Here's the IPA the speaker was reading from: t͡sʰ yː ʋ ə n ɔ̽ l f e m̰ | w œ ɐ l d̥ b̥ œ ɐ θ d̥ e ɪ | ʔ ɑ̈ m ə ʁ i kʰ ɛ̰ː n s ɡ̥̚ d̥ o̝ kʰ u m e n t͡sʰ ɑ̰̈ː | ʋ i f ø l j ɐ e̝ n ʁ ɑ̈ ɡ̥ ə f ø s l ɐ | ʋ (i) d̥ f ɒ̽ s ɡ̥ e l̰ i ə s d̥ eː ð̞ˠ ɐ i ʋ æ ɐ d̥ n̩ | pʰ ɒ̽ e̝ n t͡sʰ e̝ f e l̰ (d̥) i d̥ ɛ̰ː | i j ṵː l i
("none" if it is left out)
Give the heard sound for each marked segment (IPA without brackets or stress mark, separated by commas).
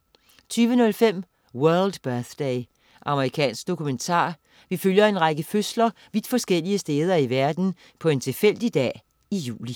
i, d̥